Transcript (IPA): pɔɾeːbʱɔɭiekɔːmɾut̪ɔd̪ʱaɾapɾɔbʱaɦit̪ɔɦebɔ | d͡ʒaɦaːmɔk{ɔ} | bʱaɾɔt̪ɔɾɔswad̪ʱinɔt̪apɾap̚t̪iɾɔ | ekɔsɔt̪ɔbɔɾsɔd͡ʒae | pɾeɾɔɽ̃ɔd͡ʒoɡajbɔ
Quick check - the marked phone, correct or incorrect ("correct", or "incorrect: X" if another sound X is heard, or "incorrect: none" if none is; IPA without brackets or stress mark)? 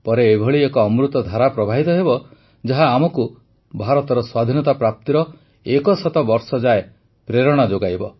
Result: incorrect: u